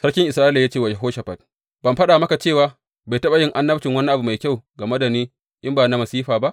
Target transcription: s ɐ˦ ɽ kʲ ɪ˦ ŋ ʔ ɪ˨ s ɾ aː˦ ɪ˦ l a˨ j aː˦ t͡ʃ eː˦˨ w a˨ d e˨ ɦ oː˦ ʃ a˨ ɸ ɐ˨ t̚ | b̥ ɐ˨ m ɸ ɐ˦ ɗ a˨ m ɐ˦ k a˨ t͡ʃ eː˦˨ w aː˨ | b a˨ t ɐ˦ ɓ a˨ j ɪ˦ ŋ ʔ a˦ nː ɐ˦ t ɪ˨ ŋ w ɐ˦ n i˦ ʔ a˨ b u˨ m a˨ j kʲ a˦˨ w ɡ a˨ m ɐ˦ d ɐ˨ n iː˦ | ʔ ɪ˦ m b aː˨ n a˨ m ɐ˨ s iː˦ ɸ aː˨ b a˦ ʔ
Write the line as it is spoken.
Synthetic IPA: s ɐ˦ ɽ kʲ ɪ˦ ŋ ʔ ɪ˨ s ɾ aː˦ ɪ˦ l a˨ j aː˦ t͡ʃ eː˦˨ w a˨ d͡ʒ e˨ ɦ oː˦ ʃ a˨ ɸ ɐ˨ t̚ | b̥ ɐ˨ m ɸ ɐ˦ ɗ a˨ m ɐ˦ k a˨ t͡ʃ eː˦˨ w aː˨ | b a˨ t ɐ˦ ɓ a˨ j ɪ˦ ŋ ʔ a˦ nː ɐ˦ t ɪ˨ ŋ w ɐ˦ n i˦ ʔ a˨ b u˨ m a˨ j kʲ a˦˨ w ɡ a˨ m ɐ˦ d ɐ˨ n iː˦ | ʔ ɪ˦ m b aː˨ n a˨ m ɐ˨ s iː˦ ɸ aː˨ b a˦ ʔ